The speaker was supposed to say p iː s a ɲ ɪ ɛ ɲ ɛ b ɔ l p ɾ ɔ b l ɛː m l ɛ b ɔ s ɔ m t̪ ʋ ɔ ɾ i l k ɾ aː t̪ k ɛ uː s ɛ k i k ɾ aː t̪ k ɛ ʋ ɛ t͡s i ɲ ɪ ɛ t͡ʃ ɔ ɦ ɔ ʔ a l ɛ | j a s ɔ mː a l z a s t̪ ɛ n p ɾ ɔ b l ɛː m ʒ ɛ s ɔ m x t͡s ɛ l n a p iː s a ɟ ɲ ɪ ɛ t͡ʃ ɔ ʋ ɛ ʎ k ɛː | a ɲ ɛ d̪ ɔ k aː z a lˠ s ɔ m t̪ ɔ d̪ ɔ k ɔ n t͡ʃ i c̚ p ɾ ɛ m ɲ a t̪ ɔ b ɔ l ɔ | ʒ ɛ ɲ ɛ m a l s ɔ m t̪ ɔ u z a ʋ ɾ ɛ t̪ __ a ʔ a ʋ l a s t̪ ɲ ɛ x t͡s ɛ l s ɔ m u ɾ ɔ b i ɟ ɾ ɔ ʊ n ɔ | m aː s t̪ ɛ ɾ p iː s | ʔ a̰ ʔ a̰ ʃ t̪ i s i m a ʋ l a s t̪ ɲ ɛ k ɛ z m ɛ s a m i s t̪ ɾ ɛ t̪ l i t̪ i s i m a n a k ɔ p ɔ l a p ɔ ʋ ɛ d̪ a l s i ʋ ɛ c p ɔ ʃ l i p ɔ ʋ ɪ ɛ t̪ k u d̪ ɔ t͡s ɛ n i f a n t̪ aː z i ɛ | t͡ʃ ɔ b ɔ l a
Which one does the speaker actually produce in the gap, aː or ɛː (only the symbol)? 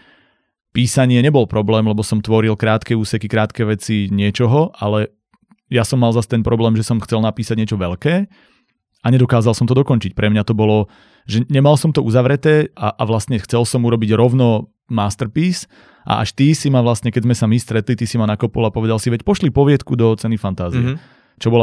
ɛː